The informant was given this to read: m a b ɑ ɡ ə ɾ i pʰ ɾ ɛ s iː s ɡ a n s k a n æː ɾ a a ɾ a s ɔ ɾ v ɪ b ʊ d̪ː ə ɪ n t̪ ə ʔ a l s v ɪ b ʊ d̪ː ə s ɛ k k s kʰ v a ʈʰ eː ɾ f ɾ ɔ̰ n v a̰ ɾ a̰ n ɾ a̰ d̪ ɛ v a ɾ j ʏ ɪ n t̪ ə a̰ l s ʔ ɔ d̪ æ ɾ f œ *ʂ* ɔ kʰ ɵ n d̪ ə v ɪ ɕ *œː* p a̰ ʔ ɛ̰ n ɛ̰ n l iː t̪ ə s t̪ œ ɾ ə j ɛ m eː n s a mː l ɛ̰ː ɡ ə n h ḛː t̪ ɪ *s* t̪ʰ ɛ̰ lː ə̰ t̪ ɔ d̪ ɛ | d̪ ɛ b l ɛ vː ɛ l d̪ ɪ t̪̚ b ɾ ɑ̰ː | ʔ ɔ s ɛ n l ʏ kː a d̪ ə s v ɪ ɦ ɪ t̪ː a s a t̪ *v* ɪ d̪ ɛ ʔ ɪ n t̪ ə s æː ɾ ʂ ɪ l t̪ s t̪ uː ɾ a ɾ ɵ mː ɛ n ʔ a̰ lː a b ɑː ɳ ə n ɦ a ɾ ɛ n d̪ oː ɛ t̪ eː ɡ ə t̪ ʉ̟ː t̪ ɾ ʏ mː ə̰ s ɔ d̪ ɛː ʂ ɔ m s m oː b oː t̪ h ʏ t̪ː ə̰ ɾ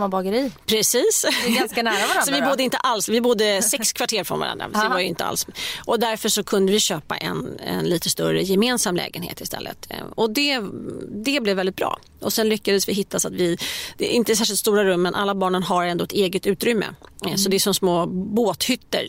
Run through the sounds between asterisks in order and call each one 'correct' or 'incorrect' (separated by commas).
correct, incorrect, correct, correct